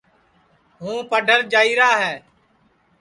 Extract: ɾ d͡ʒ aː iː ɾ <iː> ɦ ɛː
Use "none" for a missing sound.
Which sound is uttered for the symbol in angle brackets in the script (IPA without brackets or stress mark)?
aː